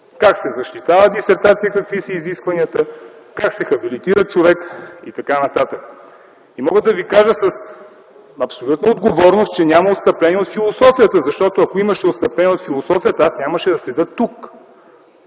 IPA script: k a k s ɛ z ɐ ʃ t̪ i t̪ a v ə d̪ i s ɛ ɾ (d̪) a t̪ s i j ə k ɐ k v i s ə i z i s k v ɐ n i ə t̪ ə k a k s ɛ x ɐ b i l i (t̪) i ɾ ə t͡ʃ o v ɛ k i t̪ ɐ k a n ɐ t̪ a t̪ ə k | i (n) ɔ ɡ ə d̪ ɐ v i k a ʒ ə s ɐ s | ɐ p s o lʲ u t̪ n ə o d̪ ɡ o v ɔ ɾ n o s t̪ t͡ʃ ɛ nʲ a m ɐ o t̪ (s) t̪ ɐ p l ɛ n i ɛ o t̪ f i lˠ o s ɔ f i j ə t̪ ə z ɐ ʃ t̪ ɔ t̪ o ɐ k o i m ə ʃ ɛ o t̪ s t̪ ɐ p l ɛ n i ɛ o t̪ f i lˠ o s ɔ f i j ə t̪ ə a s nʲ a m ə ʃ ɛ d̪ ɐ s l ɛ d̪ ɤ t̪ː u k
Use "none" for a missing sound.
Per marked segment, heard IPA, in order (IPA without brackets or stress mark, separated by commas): t̪, t̪, m, s